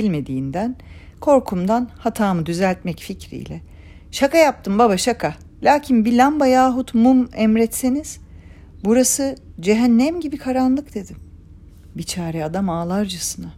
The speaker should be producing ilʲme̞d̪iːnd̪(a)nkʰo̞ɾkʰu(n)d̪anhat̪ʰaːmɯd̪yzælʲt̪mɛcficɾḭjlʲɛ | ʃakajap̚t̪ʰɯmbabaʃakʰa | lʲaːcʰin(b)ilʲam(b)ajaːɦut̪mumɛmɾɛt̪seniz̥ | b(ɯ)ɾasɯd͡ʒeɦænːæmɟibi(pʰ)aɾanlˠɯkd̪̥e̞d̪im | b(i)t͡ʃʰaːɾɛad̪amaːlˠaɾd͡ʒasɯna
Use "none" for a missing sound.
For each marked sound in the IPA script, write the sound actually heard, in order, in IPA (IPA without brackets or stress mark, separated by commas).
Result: æ, m, b, b, u, kʰ, i